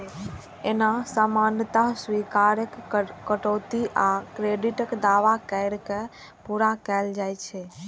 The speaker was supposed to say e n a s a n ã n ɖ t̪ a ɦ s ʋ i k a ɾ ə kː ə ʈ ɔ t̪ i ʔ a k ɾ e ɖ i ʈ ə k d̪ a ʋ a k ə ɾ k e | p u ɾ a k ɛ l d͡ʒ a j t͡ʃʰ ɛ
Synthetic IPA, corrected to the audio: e n a s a m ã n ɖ t̪ a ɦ s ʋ i k a ɾ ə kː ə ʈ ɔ t̪ i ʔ a k ɾ e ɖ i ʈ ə k d̪ a ʋ a k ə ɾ k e | p u ɾ a k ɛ l d͡ʒ a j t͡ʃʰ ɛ